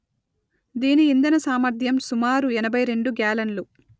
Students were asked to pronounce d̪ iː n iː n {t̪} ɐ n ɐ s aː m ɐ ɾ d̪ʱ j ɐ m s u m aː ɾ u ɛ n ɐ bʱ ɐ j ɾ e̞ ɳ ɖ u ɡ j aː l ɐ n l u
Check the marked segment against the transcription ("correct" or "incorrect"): incorrect